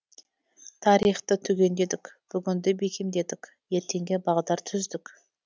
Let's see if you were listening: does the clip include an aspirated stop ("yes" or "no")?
yes